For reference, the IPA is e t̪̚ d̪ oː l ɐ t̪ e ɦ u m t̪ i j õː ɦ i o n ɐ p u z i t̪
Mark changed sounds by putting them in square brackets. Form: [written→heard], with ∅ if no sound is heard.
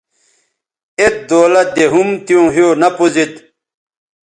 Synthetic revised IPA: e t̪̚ d̪ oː l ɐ [t̪→d̪] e ɦ u m t̪ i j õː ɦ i o n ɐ p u z i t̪